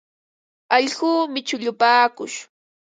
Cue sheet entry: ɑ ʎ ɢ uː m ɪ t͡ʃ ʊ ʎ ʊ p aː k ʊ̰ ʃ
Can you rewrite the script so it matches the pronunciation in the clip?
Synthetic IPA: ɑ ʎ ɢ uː m ɪ t͡ʃ ʊ ʎ ʊ p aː k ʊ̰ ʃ